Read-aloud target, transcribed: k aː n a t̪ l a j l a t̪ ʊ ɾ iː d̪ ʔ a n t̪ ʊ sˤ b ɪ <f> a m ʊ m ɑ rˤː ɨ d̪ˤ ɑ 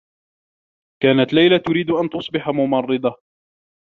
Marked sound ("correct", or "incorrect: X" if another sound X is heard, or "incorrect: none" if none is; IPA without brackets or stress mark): incorrect: ħ